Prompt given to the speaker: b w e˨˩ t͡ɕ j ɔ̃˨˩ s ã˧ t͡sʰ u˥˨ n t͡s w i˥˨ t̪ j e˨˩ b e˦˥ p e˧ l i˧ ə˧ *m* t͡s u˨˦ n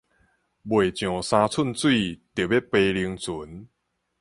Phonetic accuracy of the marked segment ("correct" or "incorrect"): incorrect